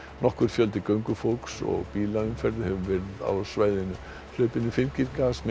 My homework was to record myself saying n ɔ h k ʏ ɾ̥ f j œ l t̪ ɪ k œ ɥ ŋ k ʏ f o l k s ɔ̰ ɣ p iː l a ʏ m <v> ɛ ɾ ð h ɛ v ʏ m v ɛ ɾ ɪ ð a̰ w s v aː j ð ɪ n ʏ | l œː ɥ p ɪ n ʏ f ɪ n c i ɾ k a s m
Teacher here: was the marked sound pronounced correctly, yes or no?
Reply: no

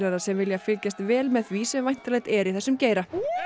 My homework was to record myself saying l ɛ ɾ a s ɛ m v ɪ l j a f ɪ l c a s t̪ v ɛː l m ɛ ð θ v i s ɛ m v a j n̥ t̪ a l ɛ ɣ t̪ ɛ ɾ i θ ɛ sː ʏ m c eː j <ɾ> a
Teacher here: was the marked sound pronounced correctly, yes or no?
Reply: yes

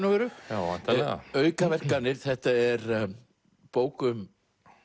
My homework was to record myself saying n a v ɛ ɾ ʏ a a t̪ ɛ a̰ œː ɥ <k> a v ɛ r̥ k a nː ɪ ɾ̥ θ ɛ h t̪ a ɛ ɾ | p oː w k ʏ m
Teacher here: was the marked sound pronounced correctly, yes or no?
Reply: yes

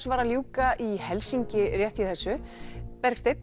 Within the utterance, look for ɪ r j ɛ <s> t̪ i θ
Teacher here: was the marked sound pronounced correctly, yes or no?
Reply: no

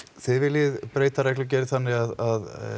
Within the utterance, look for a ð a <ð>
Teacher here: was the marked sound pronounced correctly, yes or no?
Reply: yes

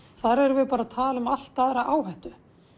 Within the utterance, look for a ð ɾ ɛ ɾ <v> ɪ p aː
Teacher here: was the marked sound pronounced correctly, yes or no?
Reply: yes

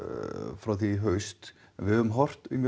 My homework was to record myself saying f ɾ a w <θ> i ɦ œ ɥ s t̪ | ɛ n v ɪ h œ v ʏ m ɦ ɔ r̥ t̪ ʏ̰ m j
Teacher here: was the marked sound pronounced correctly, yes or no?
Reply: yes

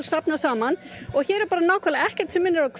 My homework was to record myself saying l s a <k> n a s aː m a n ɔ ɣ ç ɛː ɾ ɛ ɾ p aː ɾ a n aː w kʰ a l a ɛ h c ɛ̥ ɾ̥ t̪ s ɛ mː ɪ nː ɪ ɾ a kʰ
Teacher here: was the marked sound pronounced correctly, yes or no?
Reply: no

